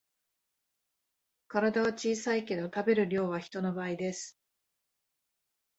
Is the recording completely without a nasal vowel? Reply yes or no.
yes